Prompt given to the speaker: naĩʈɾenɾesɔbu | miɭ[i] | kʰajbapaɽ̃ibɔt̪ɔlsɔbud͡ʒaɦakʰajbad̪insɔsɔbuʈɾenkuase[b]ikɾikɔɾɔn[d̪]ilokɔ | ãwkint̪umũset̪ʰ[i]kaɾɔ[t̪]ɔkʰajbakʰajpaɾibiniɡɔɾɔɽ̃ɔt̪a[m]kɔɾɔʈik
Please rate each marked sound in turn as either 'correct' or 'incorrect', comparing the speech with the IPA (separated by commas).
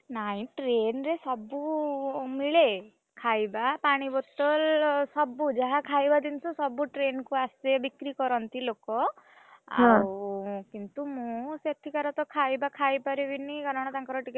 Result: incorrect, correct, incorrect, correct, correct, incorrect